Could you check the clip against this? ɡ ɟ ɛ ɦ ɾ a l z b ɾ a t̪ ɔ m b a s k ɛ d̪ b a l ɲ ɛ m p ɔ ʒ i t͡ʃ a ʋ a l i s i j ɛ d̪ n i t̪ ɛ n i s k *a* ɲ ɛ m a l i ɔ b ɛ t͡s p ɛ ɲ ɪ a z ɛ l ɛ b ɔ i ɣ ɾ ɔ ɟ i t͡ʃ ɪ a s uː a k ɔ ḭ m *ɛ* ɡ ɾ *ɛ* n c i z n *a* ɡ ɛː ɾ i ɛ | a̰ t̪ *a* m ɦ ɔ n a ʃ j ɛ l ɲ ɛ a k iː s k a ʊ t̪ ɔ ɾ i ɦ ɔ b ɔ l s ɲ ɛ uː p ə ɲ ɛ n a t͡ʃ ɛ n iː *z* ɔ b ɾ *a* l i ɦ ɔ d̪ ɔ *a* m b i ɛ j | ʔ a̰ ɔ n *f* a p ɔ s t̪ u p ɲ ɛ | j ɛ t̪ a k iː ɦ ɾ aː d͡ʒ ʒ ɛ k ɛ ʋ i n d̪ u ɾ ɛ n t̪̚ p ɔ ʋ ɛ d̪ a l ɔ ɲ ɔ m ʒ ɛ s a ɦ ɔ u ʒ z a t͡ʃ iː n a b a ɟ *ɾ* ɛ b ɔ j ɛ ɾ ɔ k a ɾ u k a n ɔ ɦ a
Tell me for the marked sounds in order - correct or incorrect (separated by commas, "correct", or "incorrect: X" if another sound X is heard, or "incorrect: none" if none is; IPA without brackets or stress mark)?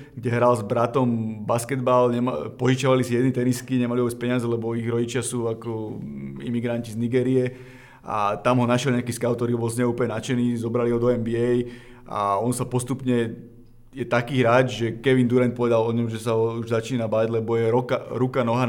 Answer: incorrect: i, incorrect: i, incorrect: a, incorrect: i, correct, correct, correct, incorrect: ɛ, incorrect: s, incorrect: l